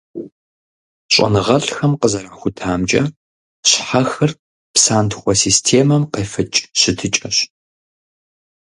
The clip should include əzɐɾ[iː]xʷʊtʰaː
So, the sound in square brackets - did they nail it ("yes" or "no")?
no